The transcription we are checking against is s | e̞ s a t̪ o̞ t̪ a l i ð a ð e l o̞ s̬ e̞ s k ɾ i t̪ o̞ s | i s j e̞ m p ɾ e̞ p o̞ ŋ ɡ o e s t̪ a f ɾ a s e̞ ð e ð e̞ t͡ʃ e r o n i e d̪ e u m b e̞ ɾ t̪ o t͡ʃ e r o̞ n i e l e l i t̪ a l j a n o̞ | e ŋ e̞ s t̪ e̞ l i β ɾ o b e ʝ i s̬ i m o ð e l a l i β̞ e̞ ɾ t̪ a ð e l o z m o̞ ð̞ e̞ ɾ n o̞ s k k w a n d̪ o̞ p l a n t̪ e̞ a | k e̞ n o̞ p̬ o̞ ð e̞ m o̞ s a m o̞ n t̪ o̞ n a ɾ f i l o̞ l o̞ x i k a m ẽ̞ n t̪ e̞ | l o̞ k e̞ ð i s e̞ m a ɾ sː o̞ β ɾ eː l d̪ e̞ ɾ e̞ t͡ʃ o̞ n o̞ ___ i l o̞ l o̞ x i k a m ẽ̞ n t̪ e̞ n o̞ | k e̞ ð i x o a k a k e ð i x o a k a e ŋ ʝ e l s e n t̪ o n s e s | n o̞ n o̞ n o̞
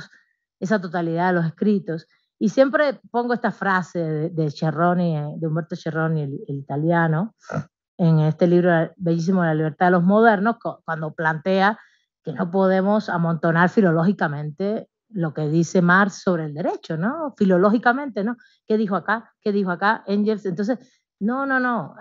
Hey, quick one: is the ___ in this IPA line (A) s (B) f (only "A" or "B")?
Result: B